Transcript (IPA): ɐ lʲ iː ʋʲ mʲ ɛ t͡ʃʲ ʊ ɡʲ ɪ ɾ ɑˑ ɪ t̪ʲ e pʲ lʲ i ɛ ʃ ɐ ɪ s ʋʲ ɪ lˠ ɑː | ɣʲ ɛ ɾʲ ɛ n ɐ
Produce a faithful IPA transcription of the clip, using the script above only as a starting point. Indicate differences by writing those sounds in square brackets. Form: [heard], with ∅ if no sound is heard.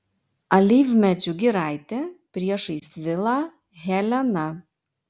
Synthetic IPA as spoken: ɐ lʲ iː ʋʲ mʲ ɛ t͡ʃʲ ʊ ɡʲ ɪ ɾ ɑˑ ɪ t̪ʲ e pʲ [ɾʲ] i ɛ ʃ ɐ ɪ s ʋʲ ɪ lˠ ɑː | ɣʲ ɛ [lʲ] ɛ n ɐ